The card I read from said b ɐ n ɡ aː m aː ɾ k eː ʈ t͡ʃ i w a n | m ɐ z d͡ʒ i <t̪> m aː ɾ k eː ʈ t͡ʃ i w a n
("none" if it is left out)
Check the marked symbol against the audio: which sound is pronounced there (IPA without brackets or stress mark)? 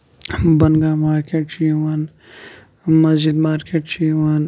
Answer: d̪